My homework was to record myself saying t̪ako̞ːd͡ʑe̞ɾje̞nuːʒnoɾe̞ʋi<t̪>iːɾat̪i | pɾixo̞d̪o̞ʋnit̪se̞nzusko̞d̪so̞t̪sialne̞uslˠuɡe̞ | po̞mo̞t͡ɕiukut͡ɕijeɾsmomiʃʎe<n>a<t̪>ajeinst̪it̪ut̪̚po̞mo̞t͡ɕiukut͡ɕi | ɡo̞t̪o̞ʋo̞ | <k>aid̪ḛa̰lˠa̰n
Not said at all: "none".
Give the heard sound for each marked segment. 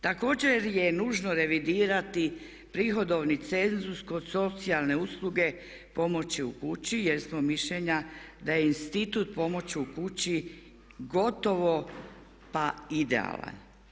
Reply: d̪, ɲ, d̪, p

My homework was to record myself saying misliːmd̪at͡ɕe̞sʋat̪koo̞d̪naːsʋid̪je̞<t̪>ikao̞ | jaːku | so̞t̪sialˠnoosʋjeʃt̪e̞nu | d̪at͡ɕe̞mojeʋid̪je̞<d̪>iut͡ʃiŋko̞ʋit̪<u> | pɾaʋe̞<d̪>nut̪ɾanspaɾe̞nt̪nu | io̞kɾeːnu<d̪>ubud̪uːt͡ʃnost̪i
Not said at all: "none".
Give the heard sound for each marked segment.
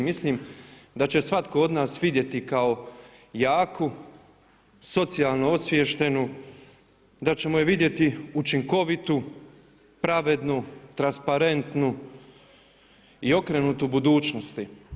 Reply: t̪, t̪, u, d̪, t̪

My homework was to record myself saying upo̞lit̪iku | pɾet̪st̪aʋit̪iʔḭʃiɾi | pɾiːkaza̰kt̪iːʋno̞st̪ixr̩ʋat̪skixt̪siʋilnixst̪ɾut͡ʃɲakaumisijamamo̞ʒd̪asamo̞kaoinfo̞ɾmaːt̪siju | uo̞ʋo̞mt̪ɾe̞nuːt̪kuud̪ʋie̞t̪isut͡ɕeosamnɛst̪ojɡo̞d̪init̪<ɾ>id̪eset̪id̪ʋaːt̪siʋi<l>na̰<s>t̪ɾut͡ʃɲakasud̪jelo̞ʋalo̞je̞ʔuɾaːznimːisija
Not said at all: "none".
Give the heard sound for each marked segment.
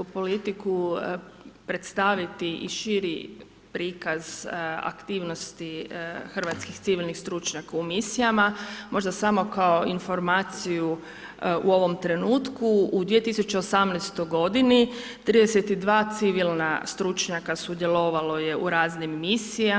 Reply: ɾ, l, s

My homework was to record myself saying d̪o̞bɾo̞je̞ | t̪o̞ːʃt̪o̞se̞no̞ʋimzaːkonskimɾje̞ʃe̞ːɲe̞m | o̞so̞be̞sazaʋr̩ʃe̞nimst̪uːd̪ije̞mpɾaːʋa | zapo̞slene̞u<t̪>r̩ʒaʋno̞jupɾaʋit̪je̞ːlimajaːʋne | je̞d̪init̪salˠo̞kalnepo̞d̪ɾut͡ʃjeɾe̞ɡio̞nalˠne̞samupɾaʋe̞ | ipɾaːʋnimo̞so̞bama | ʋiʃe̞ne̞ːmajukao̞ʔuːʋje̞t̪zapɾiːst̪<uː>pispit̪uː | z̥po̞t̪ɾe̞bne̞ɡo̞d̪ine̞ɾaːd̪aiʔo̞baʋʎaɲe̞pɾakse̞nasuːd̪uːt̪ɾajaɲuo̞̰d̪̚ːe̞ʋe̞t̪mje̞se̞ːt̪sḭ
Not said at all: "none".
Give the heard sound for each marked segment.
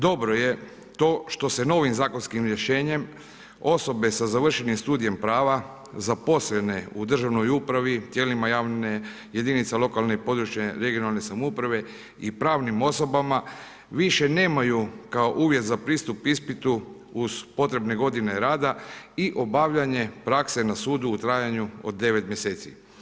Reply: d̪, u

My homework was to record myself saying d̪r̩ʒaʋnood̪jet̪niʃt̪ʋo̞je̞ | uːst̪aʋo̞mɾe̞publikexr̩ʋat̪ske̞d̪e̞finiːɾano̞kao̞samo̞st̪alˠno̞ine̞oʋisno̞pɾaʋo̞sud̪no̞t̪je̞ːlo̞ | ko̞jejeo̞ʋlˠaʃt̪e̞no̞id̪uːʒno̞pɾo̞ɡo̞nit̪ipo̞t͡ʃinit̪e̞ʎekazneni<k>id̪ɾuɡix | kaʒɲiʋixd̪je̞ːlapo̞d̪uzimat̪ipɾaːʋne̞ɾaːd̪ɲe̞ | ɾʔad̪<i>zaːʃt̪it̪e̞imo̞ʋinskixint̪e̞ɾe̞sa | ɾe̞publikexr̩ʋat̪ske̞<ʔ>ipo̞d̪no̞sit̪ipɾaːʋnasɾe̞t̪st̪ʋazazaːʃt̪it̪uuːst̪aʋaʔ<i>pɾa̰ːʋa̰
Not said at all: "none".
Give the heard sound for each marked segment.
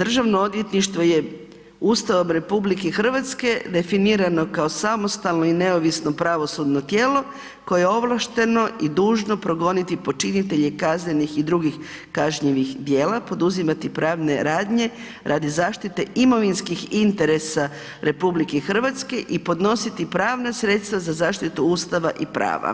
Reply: x, i, ʔ, i

